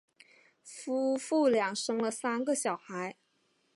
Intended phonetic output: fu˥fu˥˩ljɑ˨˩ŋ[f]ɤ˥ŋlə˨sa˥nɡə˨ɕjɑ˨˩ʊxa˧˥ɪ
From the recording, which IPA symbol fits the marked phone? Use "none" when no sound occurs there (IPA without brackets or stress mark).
ʂ